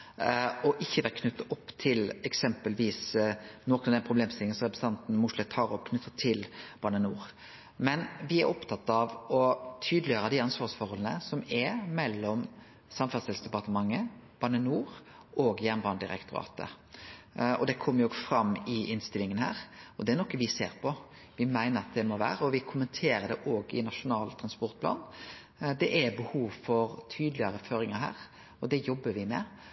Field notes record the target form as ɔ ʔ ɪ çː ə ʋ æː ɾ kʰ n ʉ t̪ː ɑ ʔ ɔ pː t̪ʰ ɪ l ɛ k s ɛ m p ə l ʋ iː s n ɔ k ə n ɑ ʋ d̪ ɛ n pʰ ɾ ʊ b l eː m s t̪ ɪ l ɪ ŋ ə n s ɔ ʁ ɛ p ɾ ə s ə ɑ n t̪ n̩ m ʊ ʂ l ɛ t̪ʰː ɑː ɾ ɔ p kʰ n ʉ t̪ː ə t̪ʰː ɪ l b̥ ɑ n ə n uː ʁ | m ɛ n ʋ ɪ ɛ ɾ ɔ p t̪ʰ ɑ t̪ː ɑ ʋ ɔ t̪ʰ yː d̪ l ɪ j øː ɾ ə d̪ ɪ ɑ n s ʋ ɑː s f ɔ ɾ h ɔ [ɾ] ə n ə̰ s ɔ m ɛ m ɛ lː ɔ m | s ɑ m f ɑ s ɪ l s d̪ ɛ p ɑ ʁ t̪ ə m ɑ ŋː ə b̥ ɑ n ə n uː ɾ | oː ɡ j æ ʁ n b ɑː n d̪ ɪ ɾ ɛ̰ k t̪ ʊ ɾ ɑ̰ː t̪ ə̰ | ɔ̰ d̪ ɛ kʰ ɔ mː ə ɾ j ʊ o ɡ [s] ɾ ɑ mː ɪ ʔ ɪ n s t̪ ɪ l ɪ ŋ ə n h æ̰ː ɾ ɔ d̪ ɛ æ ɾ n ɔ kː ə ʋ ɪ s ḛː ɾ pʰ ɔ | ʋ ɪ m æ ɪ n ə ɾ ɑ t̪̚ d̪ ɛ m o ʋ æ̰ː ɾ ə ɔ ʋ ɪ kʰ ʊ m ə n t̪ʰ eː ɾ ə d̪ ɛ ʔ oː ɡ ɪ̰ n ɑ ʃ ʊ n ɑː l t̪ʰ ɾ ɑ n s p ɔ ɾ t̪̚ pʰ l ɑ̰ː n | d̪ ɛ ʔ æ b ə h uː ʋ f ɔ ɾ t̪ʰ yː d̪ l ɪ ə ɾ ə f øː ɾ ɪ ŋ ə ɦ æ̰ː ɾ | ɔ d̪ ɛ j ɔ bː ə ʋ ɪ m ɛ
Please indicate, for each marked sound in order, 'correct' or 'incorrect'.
incorrect: l, incorrect: f

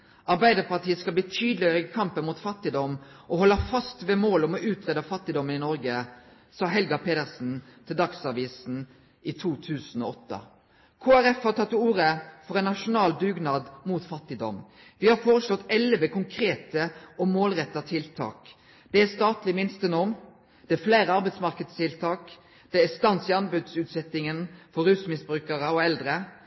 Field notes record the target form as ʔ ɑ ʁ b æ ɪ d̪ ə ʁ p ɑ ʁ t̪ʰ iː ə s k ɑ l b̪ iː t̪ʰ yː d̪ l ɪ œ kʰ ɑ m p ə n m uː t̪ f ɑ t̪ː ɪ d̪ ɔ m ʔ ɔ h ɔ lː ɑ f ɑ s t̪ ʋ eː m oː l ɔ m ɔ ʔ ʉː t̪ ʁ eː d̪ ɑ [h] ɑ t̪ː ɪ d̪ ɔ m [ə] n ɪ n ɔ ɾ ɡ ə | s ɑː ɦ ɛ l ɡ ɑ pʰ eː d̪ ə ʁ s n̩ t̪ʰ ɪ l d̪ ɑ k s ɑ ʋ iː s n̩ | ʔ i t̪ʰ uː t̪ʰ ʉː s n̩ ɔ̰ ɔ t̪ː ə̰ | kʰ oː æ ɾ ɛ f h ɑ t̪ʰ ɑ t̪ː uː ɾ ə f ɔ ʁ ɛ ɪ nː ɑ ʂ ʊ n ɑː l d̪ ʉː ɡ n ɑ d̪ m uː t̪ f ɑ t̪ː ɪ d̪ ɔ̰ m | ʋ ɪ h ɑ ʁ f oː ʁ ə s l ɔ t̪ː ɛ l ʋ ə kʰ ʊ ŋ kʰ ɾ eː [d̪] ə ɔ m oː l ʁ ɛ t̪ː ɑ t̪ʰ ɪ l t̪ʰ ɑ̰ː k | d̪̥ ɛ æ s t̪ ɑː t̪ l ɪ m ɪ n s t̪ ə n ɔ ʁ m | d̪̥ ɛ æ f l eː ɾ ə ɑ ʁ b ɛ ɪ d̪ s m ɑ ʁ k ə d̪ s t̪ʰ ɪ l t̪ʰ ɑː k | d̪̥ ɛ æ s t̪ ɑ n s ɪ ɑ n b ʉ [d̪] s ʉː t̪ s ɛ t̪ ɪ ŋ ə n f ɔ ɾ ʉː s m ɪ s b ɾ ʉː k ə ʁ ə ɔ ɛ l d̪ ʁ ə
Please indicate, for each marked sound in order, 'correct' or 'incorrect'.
incorrect: f, correct, incorrect: t̪, correct

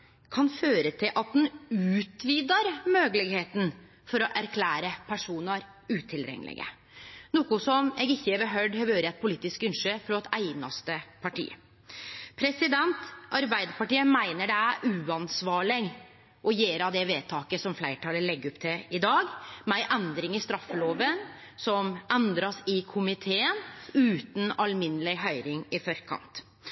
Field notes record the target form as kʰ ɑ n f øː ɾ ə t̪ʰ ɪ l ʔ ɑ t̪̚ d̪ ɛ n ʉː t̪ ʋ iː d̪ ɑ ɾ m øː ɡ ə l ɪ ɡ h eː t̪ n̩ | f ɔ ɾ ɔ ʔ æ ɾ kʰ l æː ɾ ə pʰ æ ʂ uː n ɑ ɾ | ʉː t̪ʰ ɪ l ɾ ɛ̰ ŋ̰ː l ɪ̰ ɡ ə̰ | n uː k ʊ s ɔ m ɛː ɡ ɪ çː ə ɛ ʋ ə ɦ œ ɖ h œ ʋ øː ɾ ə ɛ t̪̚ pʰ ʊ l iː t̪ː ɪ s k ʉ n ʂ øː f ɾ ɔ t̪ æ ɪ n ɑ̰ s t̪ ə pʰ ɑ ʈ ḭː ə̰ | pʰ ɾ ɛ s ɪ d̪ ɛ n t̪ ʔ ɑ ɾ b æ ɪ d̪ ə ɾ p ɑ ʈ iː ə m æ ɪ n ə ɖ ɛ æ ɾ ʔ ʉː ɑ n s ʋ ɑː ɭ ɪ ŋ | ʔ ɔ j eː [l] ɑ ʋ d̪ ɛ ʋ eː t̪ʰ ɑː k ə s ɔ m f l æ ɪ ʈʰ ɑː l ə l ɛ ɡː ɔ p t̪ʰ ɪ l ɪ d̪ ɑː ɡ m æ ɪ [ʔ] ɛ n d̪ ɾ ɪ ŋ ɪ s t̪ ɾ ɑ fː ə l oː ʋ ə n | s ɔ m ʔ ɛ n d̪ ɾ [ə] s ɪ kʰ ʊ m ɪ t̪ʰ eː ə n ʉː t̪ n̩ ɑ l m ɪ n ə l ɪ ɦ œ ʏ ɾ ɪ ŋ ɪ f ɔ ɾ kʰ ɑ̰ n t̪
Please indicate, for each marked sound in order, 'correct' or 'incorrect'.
incorrect: ɾ, correct, incorrect: ɑ

